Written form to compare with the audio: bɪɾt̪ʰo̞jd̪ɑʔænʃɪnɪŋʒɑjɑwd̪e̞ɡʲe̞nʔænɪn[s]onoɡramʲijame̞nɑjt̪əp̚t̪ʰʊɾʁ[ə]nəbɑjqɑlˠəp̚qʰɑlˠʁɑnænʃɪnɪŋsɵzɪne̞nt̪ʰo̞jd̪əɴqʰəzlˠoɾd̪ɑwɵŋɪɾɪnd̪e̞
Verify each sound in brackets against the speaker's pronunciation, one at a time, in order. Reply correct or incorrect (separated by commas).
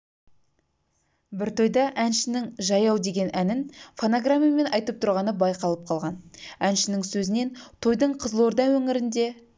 incorrect, incorrect